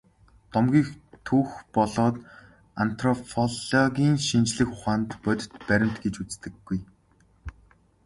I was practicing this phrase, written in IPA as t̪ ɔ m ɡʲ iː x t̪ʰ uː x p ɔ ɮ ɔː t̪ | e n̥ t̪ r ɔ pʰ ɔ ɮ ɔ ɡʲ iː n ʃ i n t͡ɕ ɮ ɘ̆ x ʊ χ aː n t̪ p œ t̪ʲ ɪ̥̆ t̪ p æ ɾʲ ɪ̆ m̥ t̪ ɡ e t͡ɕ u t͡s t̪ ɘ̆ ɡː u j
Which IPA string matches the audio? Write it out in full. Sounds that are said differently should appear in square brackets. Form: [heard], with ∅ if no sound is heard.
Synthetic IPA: t̪ ɔ m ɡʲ iː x t̪ʰ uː x p ɔ ɮ ɔː t̪ | [a] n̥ t̪ r ɔ pʰ ɔ ɮ ɔ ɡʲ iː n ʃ i n t͡ɕ ɮ ɘ̆ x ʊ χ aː n t̪ p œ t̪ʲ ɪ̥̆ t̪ p æ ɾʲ ɪ̆ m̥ t̪ ɡ e t͡ɕ u t͡s t̪ ɘ̆ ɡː u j